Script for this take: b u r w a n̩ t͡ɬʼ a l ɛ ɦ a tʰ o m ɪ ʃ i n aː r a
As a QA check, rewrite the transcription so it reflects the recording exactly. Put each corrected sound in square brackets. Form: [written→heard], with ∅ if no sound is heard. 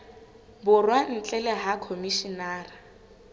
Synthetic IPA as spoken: b [u→ʊ] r w a n̩ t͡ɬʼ [a→ɛ] l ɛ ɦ a [tʰ→kʰ] o m [ɪ→i] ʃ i n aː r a